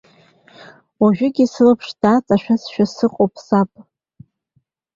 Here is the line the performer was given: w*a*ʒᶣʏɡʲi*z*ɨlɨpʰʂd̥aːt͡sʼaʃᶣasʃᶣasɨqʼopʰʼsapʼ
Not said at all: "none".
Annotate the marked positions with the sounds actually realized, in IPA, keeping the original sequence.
a, s

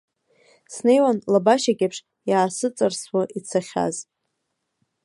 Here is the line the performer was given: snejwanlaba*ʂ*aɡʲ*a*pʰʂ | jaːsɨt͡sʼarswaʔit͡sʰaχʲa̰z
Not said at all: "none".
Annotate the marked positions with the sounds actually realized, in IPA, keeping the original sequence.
ʃ, a

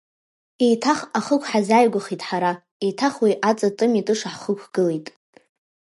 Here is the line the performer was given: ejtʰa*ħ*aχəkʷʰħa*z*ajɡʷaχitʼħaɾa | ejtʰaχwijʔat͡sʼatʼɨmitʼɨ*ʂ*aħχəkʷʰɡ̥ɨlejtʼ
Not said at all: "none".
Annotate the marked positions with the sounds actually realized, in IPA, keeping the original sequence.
χ, z, ʂ

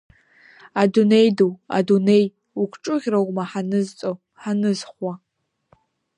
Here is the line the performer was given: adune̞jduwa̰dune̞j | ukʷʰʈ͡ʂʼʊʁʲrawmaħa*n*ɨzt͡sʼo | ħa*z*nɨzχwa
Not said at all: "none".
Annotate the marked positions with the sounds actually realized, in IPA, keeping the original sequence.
n, none

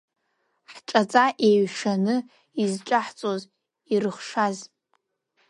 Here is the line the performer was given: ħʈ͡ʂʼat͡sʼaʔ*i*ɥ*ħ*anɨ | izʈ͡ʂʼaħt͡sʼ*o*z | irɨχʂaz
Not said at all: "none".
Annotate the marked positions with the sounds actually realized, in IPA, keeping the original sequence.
e, ʂ, o

